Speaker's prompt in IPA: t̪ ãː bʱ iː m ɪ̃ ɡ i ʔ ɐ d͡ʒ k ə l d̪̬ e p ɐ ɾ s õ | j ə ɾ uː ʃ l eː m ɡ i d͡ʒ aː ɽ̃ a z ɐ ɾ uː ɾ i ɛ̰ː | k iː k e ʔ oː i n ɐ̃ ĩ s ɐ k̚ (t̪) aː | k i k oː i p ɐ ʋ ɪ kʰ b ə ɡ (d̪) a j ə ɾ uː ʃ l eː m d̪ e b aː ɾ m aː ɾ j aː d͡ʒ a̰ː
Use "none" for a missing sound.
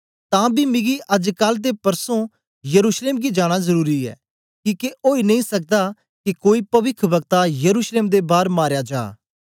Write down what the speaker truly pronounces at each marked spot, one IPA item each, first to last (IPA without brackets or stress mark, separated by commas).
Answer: d̪, t̪